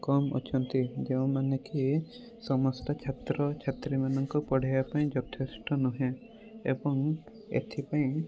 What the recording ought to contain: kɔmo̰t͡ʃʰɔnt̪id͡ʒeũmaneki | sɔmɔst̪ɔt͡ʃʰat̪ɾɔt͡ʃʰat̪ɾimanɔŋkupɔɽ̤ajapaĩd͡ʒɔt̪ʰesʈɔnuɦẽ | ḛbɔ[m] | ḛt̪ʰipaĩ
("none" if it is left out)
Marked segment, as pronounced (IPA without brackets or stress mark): ŋ